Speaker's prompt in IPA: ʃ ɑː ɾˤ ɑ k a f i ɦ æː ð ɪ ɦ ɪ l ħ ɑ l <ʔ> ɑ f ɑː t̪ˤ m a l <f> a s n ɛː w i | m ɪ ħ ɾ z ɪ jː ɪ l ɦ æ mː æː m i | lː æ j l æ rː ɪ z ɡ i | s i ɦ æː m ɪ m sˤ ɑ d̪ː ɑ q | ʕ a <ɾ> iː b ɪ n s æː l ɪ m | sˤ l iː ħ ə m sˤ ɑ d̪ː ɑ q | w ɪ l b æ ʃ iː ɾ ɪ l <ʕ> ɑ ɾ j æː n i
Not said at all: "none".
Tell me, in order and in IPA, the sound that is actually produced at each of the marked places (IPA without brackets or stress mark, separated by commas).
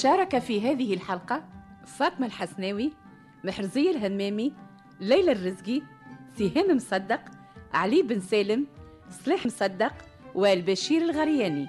q, ħ, l, ɣ